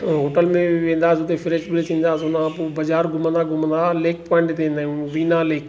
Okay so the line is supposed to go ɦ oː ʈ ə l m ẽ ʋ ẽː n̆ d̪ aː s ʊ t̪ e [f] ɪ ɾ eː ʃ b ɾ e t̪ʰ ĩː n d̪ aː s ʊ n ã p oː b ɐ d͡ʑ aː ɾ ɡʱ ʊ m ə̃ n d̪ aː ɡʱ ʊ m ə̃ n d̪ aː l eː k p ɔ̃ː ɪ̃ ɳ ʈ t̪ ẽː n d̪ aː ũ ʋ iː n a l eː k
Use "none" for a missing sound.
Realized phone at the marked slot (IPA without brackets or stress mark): f